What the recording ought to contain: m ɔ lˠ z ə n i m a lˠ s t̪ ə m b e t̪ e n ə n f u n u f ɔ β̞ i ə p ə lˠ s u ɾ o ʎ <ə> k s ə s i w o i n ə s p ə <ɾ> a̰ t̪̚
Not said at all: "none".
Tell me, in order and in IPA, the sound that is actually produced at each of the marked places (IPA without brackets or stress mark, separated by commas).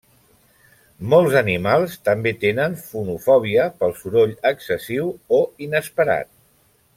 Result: ə, ɾ